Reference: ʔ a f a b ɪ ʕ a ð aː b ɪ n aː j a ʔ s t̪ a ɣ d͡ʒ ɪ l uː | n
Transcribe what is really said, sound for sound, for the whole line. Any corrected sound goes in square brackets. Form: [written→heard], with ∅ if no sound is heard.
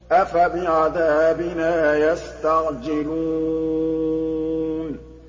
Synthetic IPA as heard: ʔ a f a b ɪ ʕ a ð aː b ɪ n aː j a [ʔ→∅] s t̪ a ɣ d͡ʒ ɪ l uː | n